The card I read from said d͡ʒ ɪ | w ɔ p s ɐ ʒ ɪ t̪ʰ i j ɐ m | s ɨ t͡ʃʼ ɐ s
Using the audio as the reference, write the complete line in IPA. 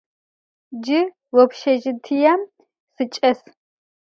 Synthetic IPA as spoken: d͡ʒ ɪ | w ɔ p ʃ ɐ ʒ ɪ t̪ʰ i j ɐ m | s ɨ t͡ʃʼ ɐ s